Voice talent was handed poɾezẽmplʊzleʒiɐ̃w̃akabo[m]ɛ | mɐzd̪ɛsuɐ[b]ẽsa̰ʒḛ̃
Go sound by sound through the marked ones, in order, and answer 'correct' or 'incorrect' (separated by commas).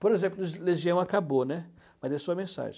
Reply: incorrect, incorrect